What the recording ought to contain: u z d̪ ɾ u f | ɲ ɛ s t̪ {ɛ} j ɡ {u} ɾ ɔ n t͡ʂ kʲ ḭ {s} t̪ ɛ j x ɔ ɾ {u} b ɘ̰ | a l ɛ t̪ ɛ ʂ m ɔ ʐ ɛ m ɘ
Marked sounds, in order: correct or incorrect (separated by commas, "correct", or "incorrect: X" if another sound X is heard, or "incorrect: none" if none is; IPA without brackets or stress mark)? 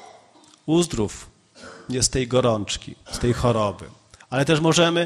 correct, incorrect: ɔ, correct, incorrect: ɔ